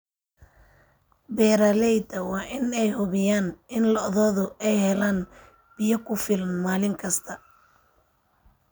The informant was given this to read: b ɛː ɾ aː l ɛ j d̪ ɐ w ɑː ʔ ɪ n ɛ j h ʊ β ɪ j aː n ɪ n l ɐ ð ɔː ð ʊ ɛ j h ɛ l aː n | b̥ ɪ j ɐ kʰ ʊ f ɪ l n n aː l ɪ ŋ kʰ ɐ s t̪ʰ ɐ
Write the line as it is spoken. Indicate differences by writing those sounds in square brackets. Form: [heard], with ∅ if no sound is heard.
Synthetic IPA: b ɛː ɾ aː l ɛ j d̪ ɐ w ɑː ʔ ɪ n ɛ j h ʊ β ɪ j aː n ɪ n l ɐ ð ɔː ð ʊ ɛ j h ɛ l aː n | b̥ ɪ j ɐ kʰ ʊ f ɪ l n [m] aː l ɪ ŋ kʰ ɐ s t̪ʰ ɐ